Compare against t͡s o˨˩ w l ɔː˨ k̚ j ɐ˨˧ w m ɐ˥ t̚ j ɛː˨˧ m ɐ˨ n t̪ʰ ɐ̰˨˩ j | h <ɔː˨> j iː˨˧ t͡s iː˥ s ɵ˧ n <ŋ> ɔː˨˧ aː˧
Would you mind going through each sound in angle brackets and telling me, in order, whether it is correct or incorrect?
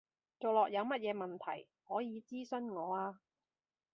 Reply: incorrect: ɔː˨˥, correct

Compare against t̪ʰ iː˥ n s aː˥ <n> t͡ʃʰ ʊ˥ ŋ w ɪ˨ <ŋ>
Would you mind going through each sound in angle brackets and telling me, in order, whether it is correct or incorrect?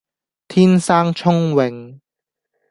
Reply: incorrect: ŋ, correct

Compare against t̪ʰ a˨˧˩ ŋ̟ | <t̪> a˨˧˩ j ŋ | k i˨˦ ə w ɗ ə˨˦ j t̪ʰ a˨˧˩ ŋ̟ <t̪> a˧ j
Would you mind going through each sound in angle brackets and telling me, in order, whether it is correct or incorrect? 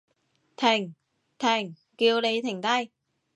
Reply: incorrect: t̪ʰ, correct

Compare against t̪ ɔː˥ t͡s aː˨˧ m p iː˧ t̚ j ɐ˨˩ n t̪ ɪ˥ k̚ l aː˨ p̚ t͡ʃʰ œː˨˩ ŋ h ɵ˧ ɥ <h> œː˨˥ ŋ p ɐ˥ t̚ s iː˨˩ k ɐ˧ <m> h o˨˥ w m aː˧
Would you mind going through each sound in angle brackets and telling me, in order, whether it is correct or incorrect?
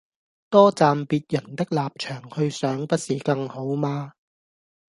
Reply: incorrect: s, incorrect: ŋ

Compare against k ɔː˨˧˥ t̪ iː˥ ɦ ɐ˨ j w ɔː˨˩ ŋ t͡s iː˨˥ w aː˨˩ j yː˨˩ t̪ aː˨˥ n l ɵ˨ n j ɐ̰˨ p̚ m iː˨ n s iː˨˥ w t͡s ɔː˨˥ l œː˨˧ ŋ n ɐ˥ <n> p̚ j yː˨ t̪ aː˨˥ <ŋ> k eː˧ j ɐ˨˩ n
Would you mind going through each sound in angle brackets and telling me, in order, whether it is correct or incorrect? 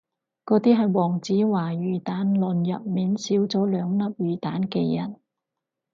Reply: incorrect: none, incorrect: n

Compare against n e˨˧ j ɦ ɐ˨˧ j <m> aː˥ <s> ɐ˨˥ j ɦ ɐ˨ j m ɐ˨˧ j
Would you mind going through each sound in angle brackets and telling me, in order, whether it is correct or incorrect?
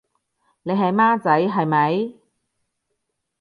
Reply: correct, incorrect: t͡s

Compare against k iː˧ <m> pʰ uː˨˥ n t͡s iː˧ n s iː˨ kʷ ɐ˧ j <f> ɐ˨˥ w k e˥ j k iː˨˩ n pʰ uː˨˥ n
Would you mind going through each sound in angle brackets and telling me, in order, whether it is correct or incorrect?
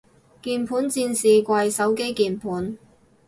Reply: incorrect: n, incorrect: s

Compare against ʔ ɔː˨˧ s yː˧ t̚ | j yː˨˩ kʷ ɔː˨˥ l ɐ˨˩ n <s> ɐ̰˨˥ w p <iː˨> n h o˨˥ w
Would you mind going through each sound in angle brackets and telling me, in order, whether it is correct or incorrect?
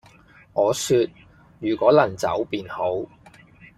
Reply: incorrect: t͡s, correct

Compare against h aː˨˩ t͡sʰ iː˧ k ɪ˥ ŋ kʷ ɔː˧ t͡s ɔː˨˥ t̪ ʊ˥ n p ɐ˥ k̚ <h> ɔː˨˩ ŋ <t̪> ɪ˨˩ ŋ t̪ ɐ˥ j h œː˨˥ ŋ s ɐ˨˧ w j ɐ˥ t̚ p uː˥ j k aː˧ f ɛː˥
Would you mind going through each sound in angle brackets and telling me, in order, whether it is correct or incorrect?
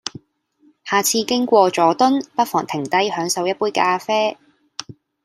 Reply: incorrect: f, incorrect: t̪ʰ

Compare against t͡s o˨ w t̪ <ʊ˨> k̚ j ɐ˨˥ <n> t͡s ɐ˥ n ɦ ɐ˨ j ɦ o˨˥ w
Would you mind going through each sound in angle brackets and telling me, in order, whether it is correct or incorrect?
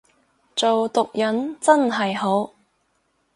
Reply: correct, correct

